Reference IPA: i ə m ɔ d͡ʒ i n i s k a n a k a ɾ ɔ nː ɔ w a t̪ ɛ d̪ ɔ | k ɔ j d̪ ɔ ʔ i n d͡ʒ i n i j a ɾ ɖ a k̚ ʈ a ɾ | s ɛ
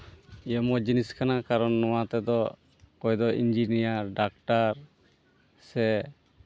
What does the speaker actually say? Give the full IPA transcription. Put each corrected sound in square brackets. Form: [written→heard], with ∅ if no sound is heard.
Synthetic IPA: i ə m ɔ d͡ʒ i n i s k a n a k a ɾ ɔ nː ɔ w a t̪ ɛ d̪ ɔ | k ɔ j d̪ ɔ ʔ i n d͡ʒ i n i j a ɾ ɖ a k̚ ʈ a ɾ | s ɛ